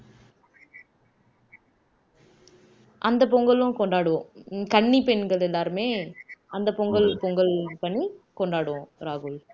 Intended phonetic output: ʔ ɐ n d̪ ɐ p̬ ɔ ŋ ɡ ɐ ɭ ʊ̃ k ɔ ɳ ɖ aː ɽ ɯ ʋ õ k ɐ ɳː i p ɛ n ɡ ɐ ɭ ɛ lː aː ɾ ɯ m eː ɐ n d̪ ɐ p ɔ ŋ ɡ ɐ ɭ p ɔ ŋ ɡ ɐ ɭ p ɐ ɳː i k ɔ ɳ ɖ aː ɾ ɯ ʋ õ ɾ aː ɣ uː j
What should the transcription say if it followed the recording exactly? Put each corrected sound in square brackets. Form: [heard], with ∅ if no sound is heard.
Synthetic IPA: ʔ ɐ n d̪ ɐ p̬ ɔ ŋ ɡ ɐ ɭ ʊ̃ k ɔ ɳ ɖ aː ɽ ɯ ʋ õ k ɐ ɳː i p ɛ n ɡ ɐ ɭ ɛ lː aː ɾ ɯ m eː ɐ n d̪ ɐ p ɔ ŋ ɡ ɐ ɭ p ɔ ŋ ɡ ɐ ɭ p ɐ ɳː i k ɔ ɳ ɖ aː [ɽ] ɯ ʋ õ ɾ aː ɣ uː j